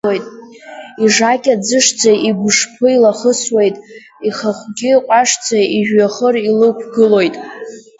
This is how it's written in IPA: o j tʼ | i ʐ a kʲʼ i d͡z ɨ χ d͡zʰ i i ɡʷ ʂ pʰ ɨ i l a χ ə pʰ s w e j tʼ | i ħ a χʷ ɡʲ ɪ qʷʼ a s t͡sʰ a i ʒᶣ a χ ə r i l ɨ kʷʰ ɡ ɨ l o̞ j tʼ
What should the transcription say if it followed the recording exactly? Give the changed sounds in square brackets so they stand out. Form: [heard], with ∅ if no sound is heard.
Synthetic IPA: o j tʼ | i ʐ a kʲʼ [a] d͡z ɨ [ʂ] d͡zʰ [a] i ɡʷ ʂ pʰ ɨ i l a χ ə [∅] s w e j tʼ | i [χ] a χʷ ɡʲ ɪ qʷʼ a [ʂ] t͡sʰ a i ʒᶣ a χ ə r i l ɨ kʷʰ ɡ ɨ l o̞ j tʼ